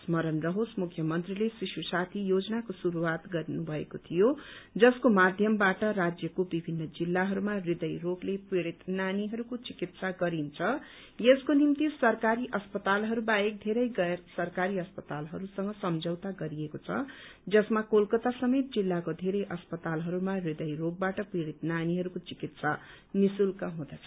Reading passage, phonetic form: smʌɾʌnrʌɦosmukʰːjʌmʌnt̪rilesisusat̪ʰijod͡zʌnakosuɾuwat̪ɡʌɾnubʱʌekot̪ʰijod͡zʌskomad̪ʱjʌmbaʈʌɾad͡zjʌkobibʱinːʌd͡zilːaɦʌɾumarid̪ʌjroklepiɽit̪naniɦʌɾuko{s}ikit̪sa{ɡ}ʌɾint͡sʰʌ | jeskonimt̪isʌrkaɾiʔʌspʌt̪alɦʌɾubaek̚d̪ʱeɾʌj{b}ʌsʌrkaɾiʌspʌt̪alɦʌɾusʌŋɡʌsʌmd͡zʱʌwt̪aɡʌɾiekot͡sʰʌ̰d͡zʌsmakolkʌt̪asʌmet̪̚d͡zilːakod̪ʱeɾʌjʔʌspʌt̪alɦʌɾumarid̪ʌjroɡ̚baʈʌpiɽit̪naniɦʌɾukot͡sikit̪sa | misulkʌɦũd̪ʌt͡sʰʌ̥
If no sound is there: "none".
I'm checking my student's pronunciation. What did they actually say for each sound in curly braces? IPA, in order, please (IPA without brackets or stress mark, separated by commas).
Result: t͡s, ɡ, ɡ